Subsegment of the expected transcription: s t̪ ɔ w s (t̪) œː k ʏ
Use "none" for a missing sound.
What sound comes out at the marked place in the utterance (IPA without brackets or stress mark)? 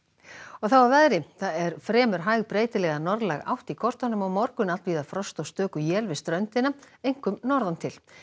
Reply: t̪